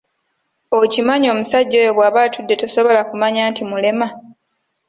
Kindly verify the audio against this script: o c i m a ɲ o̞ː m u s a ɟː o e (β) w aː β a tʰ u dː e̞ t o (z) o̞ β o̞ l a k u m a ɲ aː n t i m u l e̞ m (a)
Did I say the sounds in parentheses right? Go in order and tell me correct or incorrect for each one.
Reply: correct, incorrect, correct

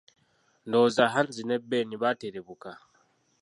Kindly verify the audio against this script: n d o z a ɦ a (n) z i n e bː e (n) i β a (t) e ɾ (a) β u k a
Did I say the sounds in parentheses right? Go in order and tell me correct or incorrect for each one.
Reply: correct, correct, correct, incorrect

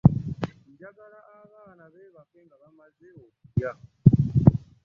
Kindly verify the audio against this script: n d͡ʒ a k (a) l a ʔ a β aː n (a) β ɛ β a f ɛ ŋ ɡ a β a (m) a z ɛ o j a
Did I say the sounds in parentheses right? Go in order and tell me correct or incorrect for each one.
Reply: correct, correct, correct

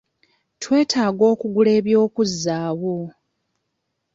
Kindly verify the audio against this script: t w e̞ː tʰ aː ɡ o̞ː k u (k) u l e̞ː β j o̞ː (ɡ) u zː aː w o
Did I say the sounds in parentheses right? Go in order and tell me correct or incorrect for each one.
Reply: incorrect, incorrect

